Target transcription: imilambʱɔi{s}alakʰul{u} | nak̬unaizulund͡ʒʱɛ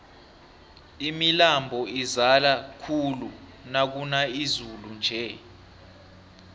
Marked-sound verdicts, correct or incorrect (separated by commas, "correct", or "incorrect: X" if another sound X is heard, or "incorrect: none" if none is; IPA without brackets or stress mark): incorrect: z, correct